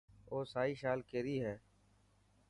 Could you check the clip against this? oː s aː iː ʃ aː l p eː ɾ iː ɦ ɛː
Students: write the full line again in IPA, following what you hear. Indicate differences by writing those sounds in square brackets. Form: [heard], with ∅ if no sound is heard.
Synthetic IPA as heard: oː s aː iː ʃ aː l [k] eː ɾ iː ɦ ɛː